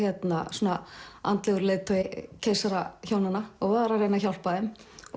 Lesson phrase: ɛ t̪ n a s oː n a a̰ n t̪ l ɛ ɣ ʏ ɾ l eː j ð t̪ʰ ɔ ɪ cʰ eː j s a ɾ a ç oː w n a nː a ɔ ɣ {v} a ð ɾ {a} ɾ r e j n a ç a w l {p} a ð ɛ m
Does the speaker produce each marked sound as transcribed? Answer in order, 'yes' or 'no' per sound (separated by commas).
yes, yes, yes